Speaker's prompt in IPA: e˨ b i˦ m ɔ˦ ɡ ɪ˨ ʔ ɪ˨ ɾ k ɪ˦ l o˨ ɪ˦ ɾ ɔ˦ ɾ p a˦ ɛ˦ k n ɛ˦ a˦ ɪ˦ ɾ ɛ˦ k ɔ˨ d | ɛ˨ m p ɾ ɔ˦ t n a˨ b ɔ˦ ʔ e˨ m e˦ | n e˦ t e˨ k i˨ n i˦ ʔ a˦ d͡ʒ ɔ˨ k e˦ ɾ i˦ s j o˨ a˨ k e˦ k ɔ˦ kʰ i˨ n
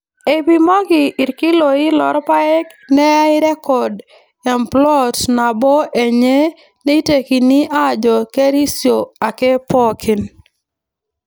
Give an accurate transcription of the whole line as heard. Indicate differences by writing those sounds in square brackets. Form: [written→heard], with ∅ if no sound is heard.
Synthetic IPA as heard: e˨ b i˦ m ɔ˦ ɡ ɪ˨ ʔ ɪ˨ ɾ k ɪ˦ l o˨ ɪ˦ [ɾ→l] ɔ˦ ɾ p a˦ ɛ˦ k n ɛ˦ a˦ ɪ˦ ɾ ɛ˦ k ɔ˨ d | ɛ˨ m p [ɾ→l] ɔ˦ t n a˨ b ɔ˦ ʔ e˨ [m→ɲ] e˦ | n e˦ t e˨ k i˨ n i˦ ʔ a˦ d͡ʒ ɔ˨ k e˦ ɾ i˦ s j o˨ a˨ k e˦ [k→p] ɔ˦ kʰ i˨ n